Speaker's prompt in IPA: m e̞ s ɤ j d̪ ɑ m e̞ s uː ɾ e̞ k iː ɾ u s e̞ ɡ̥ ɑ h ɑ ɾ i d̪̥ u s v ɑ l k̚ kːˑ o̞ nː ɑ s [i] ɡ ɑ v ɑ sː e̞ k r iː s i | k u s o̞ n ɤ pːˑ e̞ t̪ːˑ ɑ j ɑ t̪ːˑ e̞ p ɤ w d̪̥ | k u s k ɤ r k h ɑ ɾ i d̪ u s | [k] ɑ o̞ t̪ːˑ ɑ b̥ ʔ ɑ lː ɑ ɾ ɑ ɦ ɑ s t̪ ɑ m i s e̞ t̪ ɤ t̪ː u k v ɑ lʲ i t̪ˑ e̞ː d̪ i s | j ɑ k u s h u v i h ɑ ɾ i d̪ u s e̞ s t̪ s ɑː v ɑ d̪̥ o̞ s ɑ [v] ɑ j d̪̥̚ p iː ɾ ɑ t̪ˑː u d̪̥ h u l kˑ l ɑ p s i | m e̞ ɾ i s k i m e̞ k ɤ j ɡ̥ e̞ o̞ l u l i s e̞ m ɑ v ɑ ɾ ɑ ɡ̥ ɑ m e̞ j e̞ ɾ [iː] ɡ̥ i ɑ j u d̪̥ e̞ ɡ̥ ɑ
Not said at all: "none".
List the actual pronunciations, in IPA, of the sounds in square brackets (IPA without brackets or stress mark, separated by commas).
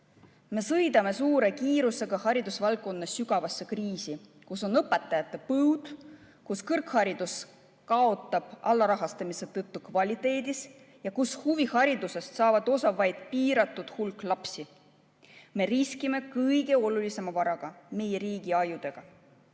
y, k, v, iː